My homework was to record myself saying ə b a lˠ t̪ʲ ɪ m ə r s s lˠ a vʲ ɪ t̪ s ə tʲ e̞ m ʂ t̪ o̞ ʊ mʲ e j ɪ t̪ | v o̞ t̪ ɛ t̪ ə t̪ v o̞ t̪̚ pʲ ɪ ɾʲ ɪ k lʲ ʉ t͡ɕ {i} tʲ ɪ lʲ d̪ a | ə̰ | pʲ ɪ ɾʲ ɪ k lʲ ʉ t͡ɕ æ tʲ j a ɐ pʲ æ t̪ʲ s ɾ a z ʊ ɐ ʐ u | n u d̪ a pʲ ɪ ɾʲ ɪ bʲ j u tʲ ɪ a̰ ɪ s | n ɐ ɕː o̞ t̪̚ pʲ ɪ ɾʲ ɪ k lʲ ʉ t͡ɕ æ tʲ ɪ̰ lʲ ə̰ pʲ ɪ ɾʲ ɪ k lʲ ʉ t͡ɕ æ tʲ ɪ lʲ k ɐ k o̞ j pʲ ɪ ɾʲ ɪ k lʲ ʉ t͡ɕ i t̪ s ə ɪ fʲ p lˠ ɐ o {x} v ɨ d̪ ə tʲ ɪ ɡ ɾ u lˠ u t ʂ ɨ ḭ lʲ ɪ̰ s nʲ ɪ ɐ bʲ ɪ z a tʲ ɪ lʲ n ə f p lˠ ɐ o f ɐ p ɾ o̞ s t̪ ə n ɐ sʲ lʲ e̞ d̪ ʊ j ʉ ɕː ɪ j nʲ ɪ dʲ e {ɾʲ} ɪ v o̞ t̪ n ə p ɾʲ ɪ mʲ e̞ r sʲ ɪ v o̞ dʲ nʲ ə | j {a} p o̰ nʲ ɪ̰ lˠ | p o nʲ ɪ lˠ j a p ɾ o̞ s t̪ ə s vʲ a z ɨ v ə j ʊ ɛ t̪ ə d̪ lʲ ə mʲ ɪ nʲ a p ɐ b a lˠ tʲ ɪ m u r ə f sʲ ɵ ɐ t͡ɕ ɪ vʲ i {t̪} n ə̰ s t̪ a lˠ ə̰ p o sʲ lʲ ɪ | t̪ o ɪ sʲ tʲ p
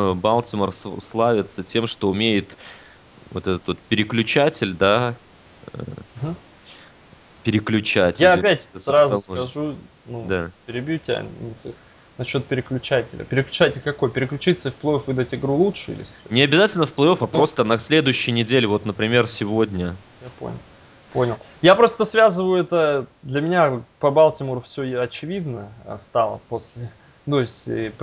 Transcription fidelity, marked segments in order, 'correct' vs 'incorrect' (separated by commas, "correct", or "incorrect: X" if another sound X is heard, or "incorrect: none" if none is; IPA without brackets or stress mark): incorrect: æ, incorrect: f, incorrect: lʲ, correct, incorrect: d̪